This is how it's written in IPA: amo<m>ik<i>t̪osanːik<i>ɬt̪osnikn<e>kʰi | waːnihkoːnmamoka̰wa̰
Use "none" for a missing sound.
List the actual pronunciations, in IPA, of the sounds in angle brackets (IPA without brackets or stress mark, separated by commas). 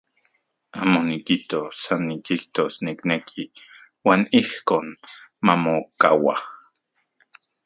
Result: n, i, i, e